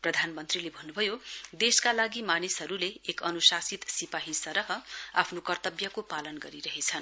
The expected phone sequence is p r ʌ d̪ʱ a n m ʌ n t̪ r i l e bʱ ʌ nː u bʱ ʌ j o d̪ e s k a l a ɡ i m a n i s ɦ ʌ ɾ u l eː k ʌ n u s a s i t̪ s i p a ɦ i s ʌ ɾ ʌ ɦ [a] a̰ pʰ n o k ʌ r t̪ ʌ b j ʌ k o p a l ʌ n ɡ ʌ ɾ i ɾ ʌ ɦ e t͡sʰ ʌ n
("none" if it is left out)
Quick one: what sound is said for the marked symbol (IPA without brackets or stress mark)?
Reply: ʌ